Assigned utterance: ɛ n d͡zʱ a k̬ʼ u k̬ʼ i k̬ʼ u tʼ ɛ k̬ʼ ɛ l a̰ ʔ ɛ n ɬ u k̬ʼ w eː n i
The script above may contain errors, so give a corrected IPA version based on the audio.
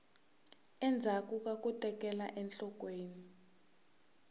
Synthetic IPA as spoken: ɛ n d͡zʱ a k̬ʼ u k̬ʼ a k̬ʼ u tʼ ɛ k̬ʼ ɛ l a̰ ʔ ɛ n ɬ ɔ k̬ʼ w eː n i

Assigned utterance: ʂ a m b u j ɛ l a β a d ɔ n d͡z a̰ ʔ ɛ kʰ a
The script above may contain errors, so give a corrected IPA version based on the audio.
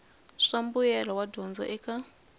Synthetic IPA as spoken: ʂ a m b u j ɛ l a w a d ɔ n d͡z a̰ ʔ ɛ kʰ a

